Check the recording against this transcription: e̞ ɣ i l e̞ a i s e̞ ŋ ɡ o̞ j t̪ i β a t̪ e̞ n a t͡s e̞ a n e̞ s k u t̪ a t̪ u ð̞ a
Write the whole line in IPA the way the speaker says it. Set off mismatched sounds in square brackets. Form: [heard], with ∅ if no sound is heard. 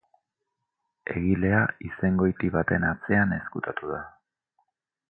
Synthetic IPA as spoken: e̞ ɣ i l e̞ a i s e̞ ŋ ɡ o̞ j t̪ i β a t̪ e̞ n a t͡s e̞ a n e̞ s k u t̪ a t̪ u ð̞ a